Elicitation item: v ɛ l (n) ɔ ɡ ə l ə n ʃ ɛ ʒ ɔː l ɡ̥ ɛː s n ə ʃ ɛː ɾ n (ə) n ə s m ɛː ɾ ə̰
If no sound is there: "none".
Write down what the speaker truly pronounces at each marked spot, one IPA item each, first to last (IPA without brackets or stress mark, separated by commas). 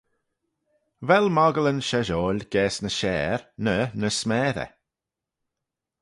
m, ə